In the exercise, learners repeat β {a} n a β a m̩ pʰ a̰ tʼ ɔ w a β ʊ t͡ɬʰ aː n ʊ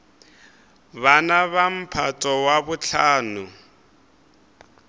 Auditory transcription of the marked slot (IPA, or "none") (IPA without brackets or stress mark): a